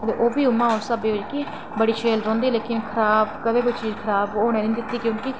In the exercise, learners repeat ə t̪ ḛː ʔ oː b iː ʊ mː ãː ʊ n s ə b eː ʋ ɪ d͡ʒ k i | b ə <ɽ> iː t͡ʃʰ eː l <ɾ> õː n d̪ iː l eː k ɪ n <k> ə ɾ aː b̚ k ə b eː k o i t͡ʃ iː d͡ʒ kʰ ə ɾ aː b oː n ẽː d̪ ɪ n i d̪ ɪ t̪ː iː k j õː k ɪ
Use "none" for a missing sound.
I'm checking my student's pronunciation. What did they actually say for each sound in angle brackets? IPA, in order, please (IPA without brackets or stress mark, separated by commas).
ɽ, ɾ, kʰ